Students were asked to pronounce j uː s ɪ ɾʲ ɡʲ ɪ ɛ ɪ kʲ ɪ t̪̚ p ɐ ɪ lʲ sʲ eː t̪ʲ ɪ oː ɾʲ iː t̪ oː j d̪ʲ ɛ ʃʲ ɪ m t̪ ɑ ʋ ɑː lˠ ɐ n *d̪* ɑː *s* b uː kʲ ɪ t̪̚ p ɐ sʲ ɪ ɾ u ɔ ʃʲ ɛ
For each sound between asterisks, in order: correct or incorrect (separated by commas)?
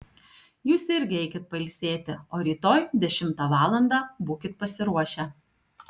correct, incorrect